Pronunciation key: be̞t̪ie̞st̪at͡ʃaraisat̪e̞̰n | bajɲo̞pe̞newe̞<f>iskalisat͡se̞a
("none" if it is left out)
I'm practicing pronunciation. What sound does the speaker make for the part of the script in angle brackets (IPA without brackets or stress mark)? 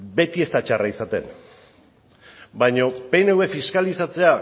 f